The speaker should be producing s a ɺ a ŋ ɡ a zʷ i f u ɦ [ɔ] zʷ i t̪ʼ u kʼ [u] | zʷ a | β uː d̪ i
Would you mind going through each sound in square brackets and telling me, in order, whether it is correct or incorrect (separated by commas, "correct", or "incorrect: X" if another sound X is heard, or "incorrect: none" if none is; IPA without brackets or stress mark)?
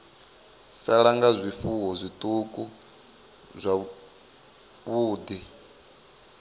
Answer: correct, correct